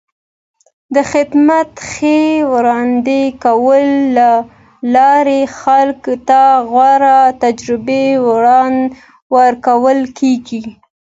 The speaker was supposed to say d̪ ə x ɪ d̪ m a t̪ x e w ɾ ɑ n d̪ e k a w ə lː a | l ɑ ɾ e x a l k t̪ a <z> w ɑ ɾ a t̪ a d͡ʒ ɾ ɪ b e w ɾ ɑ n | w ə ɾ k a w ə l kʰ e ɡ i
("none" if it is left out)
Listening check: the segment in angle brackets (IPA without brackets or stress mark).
ɣ